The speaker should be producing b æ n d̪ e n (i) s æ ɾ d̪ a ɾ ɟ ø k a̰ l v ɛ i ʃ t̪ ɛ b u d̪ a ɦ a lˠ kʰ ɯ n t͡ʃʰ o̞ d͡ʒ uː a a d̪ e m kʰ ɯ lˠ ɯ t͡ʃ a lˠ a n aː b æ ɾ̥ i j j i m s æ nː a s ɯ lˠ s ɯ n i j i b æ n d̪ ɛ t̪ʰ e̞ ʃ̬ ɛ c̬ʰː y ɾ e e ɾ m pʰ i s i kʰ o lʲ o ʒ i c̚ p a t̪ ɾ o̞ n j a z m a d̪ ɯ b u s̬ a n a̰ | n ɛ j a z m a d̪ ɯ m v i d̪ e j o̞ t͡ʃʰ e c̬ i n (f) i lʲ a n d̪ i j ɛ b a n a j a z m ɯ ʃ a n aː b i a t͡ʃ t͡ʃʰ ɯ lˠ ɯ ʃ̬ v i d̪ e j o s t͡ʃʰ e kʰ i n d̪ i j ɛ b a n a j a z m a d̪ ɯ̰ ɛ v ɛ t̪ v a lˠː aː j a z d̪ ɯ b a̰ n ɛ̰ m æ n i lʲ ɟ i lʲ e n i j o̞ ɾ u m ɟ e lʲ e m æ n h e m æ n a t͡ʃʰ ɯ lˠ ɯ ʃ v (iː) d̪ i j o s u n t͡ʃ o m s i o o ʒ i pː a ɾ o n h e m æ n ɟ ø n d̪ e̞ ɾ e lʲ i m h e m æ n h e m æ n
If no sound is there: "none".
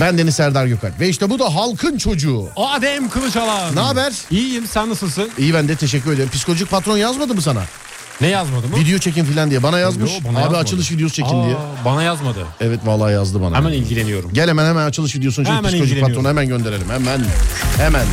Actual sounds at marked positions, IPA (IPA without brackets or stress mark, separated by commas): i, f, i